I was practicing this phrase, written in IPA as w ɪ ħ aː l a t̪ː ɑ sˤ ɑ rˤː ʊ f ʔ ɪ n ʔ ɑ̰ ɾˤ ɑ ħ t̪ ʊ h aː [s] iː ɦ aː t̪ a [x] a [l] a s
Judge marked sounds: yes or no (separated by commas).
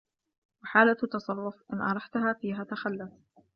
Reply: no, yes, no